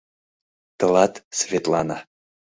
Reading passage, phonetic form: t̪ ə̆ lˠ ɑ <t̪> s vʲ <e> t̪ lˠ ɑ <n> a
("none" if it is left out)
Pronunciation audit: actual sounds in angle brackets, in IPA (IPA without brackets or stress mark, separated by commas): t̪, e, n